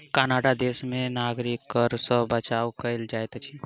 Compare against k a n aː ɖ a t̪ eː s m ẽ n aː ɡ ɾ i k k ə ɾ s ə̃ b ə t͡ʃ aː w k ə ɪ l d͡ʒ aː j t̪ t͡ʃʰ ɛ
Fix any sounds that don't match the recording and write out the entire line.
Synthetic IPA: k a n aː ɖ a d̪ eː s m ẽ n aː ɡ ɾ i k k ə ɾ s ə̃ b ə t͡ʃ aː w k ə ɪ l d͡ʒ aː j t̪ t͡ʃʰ i